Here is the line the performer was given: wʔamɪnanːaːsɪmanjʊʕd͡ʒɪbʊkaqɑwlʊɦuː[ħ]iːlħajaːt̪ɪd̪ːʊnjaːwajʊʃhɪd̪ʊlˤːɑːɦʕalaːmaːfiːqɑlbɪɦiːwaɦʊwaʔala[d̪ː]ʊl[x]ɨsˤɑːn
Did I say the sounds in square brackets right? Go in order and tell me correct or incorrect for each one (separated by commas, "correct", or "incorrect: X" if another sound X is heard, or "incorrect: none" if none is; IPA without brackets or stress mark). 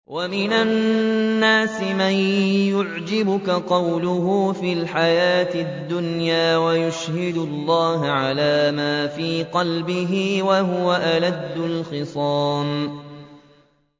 incorrect: f, correct, correct